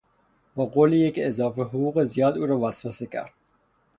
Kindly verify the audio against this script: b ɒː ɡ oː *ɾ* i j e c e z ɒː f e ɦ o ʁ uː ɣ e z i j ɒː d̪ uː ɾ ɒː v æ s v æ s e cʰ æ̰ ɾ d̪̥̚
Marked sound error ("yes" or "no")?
yes